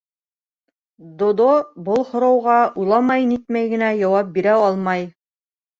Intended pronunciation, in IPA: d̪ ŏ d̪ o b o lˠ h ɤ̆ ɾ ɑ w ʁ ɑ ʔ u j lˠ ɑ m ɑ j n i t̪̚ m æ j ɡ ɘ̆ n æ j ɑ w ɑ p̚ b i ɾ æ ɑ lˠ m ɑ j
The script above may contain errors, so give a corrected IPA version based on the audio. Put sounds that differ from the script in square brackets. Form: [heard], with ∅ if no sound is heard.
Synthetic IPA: d̪ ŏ d̪ o b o lˠ h [ŏ] ɾ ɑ w ʁ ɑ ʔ u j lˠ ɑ m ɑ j n i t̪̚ m æ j ɡ ɘ̆ n æ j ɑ w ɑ p̚ b i ɾ æ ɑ lˠ m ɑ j